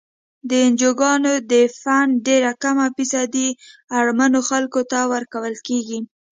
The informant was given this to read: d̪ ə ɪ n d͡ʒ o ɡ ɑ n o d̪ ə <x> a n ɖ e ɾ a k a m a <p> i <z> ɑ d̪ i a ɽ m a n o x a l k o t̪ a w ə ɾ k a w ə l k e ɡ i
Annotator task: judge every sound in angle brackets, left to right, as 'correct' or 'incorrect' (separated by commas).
incorrect, correct, incorrect